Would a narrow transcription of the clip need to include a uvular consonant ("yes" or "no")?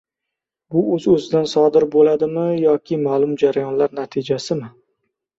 no